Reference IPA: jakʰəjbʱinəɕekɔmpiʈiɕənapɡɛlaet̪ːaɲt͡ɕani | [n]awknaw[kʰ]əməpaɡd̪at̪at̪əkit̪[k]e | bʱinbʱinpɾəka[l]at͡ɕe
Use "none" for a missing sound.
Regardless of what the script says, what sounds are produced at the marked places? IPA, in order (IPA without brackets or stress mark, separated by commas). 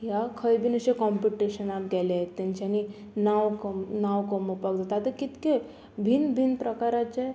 n, k, k, ɾ